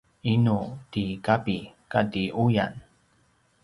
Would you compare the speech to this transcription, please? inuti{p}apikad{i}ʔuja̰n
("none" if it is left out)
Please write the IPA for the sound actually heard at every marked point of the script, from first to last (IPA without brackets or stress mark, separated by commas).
k, i